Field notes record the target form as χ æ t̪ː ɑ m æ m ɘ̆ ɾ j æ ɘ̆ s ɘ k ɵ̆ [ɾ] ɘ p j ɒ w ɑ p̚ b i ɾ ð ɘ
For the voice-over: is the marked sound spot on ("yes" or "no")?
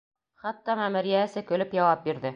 no